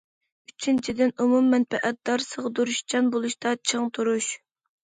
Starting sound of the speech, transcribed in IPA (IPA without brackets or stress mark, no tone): y